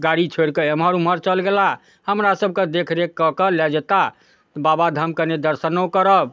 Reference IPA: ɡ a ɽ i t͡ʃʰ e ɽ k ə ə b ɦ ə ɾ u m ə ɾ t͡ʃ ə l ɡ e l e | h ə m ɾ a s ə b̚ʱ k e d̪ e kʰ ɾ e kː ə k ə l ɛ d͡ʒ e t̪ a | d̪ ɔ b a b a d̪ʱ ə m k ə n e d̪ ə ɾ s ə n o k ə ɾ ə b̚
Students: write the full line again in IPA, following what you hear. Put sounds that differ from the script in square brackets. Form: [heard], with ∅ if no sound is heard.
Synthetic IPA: ɡ a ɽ i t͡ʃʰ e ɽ k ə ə [m] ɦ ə ɾ u m ə ɾ t͡ʃ ə l ɡ e l [a] | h ə m ɾ a s ə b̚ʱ k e d̪ e kʰ ɾ e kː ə k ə l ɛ d͡ʒ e t̪ a | [t̪] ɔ b a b a d̪ʱ ə m k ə n e d̪ ə ɾ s ə n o k ə ɾ ə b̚